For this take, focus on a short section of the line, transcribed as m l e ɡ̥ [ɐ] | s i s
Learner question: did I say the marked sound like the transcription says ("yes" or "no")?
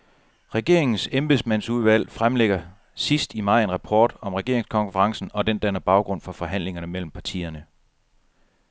yes